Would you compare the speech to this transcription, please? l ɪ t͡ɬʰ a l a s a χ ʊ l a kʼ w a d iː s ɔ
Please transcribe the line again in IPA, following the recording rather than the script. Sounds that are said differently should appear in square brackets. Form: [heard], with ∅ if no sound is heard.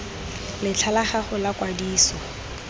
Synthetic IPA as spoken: l ɪ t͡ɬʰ a l a [χ] a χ ʊ l a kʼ w a d iː s ɔ